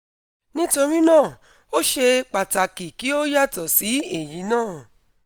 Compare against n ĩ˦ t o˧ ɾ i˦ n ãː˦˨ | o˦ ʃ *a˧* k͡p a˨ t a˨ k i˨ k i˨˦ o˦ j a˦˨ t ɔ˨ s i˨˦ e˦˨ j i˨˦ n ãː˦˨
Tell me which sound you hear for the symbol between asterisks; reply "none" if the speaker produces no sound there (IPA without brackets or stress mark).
e˧